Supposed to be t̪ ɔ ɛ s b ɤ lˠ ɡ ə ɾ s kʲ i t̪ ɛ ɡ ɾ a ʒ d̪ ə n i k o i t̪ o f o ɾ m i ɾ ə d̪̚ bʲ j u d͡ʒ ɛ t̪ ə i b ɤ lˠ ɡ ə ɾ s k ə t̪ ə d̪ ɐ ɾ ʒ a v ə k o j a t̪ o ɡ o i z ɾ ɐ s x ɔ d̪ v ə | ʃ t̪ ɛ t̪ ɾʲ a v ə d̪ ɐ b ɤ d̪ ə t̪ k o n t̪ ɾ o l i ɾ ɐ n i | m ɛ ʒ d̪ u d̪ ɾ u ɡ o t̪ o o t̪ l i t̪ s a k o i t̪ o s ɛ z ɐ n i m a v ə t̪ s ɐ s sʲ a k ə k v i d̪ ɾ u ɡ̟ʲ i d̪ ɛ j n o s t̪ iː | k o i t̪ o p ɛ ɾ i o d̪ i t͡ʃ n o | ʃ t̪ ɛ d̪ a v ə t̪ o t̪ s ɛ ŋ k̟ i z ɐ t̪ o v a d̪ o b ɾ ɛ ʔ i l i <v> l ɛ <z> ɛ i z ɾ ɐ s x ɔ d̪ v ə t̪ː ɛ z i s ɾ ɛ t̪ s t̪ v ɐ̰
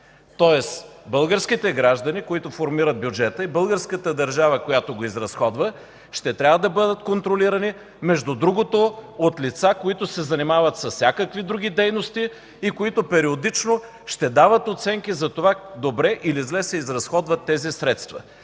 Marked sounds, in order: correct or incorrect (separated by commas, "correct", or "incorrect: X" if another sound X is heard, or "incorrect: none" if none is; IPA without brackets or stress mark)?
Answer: incorrect: z, incorrect: s